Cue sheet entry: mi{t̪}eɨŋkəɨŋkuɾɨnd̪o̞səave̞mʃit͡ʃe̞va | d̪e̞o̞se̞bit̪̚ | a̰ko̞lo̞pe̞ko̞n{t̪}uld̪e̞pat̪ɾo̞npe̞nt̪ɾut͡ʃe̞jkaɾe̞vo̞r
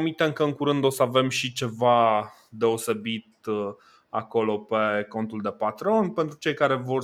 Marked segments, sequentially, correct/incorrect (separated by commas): correct, correct